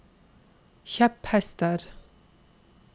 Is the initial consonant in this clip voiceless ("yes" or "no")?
yes